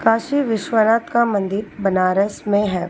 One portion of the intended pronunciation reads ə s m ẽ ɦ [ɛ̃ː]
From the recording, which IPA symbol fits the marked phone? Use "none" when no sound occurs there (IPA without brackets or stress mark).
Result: ɛː